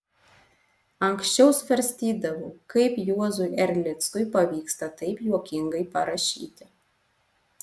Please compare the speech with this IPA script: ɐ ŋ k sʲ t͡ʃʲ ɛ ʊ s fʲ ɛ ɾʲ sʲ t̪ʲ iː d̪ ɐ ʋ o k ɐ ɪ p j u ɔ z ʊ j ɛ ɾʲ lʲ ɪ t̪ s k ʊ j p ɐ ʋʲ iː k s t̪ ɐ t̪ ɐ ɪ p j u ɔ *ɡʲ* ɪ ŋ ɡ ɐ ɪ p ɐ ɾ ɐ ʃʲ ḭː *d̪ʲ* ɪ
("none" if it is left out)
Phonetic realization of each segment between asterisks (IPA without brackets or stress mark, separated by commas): kʲ, t̪ʲ